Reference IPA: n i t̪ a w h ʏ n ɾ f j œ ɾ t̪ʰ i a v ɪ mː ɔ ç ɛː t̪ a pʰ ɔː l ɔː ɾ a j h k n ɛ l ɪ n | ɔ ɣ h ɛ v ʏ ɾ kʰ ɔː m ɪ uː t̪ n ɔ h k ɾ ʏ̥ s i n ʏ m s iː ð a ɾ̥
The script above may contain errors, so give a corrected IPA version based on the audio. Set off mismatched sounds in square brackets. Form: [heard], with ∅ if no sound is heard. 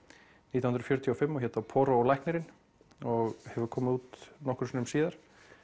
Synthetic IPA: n i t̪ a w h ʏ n ɾ f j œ ɾ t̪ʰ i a [f] ɪ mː ɔ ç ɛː t̪ a pʰ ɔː [ɾ] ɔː [l] a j h k n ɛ [ɾ] ɪ n | ɔ ɣ h ɛ v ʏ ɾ kʰ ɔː m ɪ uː t̪ n ɔ h k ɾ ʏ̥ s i n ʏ m s iː ð a ɾ̥